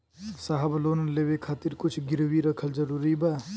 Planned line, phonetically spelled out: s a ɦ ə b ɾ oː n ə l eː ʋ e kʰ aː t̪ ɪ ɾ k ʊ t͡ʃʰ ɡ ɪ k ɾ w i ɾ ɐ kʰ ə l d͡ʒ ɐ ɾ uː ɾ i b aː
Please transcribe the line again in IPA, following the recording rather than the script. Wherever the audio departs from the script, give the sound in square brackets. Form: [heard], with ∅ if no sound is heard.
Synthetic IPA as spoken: s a ɦ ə b [l] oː n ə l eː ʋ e kʰ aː t̪ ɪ ɾ k ʊ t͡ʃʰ ɡ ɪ [∅] ɾ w i ɾ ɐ kʰ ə l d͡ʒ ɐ ɾ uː ɾ i b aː